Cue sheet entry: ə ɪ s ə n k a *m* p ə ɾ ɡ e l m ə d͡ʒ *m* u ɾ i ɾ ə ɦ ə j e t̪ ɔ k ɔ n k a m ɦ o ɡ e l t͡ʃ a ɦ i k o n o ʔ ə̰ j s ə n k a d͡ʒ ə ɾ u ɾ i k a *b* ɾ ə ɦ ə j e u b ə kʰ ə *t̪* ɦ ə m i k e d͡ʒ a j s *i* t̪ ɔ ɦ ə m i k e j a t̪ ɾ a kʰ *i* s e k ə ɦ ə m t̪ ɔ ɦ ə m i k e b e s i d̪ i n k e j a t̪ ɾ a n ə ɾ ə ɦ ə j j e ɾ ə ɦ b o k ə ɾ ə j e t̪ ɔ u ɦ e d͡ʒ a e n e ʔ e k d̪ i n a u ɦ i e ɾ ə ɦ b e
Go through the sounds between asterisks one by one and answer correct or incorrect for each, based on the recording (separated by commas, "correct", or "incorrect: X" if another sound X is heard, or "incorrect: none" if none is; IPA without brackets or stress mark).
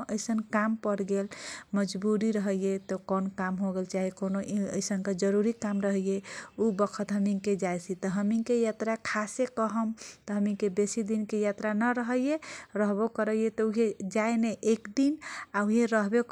correct, incorrect: b, incorrect: m, correct, correct, incorrect: a